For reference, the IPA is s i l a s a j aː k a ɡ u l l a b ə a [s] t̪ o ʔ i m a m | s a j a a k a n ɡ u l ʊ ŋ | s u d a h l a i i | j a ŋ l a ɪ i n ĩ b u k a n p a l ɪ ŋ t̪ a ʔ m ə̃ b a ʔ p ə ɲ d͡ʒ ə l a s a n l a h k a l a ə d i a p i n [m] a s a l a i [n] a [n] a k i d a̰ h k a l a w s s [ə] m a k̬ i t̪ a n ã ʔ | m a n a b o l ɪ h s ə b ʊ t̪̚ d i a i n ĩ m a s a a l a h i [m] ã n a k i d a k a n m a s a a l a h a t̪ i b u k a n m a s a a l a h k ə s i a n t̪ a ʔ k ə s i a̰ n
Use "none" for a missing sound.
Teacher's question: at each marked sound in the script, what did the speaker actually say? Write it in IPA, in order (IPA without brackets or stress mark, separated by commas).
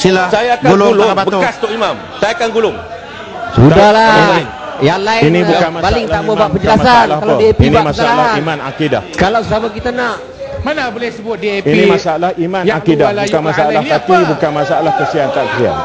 s, m, m, n, a, m